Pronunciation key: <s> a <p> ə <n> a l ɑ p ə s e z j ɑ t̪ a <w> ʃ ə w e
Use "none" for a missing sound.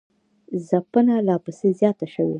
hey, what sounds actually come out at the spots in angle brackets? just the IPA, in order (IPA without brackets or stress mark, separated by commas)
z, p, n, none